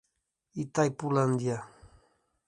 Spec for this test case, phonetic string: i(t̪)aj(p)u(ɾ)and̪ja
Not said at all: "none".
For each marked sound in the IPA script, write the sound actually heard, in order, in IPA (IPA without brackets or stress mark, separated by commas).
t̪, p, l